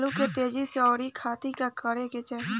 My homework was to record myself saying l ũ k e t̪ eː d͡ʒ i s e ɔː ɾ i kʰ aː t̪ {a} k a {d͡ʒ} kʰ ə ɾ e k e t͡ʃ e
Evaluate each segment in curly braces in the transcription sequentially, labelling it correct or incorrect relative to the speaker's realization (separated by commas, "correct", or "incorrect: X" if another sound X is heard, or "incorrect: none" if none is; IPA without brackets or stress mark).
incorrect: i, incorrect: none